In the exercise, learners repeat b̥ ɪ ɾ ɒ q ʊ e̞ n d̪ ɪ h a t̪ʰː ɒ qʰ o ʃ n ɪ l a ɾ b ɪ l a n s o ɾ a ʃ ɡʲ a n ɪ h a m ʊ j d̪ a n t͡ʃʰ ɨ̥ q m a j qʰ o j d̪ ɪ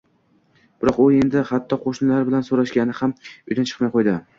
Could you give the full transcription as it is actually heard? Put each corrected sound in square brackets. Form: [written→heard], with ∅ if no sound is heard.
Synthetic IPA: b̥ ɪ ɾ ɒ q ʊ e̞ n d̪ ɪ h a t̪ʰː ɒ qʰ o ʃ n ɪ l a ɾ b ɪ l a n s o ɾ a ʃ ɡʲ a n ɪ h a m ʊ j d̪ a n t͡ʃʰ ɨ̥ q m a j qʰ o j d̪ ɪ